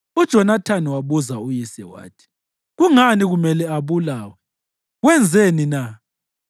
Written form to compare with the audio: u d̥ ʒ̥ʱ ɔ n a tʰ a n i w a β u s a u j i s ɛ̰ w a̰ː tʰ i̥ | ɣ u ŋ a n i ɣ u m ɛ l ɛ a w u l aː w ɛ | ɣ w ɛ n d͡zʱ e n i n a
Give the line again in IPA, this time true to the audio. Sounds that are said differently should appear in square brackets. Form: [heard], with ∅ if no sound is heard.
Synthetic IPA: u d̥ ʒ̥ʱ ɔ n a tʰ a n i w a β u [z] a u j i s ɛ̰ w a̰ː tʰ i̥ | ɣ u ŋ a n i ɣ u m ɛ l ɛ a [β] u l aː w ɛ | ɣ w ɛ n d͡zʱ e n i n a